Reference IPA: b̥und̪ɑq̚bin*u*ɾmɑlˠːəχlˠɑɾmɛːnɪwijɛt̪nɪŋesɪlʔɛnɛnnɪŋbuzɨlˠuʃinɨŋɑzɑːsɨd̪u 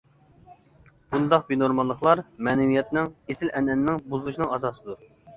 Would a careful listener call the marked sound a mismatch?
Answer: yes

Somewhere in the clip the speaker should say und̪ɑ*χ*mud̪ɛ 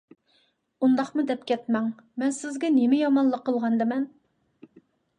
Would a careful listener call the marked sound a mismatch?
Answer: no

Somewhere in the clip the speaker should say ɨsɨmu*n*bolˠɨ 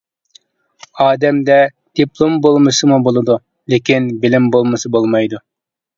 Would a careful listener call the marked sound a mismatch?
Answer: yes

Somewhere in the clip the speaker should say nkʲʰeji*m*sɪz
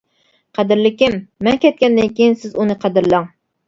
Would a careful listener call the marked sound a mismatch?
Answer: yes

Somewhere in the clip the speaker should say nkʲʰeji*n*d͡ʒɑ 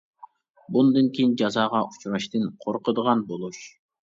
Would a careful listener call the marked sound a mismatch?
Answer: no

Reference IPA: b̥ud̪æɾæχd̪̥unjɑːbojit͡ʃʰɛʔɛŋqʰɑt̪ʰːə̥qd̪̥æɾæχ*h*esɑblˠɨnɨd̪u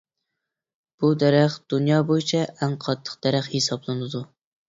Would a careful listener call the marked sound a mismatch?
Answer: no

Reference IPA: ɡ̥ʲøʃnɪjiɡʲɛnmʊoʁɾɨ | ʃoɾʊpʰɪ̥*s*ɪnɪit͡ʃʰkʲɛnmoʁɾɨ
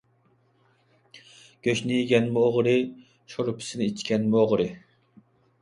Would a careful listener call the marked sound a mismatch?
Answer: no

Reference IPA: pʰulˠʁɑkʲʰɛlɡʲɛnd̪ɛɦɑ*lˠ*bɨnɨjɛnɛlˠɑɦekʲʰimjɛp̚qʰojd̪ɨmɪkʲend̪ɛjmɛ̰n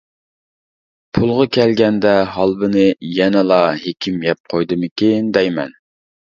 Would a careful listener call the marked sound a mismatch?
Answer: no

